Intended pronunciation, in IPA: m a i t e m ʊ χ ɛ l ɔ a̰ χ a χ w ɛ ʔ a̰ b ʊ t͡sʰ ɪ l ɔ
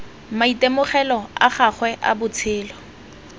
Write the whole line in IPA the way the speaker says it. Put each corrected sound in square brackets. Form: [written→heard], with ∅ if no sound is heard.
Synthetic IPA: m a i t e m ʊ χ ɛ l ɔ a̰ χ a χ w ɛ ʔ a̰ b ʊ t͡sʰ [ɪ→ɪː] l ɔ